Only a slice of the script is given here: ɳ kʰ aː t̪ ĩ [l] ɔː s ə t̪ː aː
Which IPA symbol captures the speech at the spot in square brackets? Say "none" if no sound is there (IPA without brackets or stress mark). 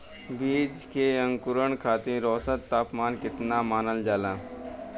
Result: ɾ